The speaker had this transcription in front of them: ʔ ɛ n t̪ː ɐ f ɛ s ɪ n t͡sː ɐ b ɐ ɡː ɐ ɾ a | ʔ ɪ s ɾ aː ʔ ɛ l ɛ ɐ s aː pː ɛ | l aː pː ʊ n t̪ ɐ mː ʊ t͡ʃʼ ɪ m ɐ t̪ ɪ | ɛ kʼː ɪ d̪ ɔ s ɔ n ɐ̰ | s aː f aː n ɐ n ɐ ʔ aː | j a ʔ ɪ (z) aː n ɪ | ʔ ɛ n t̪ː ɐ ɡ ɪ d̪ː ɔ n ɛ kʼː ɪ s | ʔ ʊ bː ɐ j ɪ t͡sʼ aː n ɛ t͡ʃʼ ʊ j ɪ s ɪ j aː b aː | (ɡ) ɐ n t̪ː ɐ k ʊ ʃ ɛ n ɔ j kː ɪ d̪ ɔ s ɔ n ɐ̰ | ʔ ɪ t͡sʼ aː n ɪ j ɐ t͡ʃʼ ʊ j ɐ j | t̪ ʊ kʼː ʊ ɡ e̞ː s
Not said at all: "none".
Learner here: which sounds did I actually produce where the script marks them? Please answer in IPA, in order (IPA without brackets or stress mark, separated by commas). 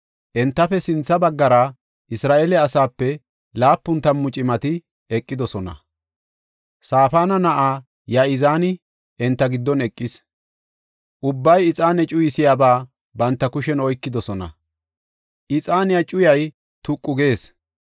z, b